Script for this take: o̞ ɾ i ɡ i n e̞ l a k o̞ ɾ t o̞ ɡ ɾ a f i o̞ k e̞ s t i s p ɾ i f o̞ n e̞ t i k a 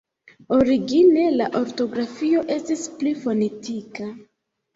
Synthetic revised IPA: o̞ ɾ i ɡ i n e̞ l a ʔ o̞ ɾ t o̞ ɡ ɾ a f i o̞ ʔ e̞ s t i s p l i f o̞ n e̞ t i k a